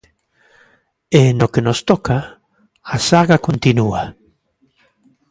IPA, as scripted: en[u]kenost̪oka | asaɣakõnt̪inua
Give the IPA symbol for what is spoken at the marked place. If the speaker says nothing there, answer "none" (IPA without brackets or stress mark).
o